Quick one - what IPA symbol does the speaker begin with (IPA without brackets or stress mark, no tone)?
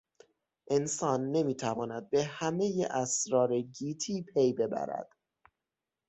ʔ